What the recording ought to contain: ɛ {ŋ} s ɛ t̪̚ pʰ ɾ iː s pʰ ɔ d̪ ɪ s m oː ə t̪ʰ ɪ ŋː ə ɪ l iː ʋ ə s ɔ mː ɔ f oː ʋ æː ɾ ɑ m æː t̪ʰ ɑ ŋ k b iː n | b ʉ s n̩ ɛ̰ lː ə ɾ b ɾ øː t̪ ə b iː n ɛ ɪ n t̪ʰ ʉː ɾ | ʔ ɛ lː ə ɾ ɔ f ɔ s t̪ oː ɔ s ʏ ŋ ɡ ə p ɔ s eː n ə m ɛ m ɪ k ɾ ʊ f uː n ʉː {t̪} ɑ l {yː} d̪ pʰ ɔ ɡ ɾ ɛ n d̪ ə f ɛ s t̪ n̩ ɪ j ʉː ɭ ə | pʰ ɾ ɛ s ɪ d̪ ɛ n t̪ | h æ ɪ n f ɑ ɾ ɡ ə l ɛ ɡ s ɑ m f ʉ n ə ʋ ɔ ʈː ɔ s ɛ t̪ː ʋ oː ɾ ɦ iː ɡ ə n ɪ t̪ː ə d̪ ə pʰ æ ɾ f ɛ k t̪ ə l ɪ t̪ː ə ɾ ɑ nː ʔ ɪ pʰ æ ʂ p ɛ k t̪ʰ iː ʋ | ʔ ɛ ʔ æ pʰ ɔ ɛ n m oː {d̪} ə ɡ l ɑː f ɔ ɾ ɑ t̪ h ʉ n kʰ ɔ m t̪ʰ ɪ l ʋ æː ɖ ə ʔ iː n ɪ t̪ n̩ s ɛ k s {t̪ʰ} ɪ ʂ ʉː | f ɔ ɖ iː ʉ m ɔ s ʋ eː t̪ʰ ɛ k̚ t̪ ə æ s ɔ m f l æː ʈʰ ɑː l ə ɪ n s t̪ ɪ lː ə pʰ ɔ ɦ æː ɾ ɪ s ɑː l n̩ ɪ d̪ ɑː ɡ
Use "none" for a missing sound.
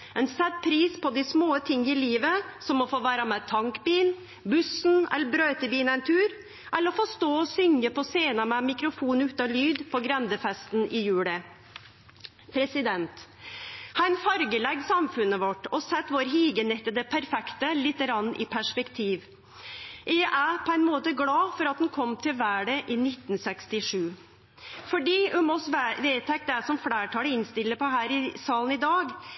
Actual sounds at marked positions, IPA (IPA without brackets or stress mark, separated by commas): n, t̪, yː, t̪, t̪